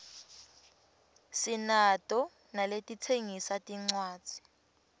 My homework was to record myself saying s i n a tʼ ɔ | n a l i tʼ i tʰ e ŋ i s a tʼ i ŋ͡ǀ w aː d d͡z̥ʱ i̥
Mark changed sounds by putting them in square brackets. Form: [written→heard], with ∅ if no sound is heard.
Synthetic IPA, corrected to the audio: s i n a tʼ ɔ | n a l [i→e] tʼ i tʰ e ŋ i s a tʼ i ŋ͡ǀ w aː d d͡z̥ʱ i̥